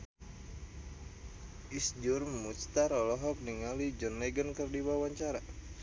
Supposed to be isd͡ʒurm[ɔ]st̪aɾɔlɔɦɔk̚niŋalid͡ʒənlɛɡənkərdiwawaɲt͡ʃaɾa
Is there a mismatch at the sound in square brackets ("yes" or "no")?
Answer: yes